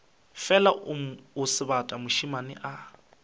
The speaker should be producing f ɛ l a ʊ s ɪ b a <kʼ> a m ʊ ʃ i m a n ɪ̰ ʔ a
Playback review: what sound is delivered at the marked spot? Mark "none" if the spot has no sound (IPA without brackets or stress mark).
tʼ